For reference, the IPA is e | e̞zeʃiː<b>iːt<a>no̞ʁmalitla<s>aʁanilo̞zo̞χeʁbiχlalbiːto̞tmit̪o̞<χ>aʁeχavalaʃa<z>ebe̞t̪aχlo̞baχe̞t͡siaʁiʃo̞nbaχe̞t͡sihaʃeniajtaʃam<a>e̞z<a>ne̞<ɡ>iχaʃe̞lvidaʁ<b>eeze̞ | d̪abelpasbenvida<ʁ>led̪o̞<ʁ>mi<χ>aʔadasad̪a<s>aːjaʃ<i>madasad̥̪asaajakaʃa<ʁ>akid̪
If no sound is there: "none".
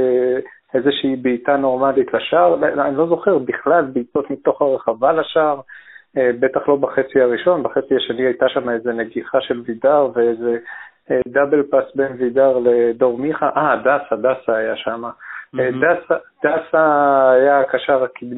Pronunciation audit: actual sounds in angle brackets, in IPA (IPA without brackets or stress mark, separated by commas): b, a, ʃ, χ, ʁ, a, e, ɡ, v, ʁ, ʁ, χ, s, a, ʁ